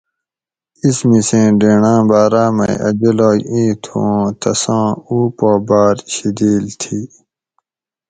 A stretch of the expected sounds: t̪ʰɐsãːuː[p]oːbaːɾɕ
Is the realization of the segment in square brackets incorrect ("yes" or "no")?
no